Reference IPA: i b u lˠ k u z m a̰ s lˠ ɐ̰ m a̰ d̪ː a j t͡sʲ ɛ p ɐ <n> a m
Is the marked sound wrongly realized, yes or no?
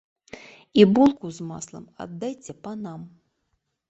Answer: no